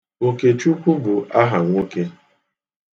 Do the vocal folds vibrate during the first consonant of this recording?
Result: no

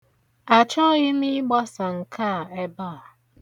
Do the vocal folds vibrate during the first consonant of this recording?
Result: no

